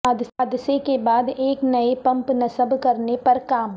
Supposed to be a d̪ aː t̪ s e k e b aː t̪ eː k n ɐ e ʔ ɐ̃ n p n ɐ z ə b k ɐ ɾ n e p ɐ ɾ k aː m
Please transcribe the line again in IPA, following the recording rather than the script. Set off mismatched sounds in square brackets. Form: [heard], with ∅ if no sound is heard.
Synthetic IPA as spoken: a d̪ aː [d̪] s e k e b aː [d̪] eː k n ɐ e [p] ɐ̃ [m] p n ɐ [s] ə b k ɐ ɾ n e p ɐ ɾ k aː m